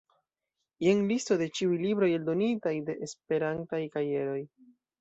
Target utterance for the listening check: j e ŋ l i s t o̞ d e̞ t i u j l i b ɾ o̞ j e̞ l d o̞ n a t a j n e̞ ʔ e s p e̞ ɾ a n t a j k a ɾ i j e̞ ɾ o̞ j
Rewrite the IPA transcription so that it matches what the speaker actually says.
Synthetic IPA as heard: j e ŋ l i s t o̞ d e̞ t͡ʃ i u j l i b ɾ o̞ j e̞ l d o̞ n i t a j d e̞ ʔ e s p e̞ ɾ a n t a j k a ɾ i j e̞ ɾ o̞ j